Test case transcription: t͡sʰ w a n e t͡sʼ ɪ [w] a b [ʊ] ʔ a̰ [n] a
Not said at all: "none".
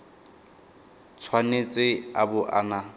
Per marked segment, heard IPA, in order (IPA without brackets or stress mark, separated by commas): none, ʊ, n